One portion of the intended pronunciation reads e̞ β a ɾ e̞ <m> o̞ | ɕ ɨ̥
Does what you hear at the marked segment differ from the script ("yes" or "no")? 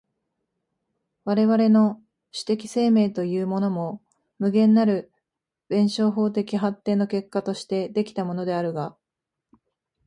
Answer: yes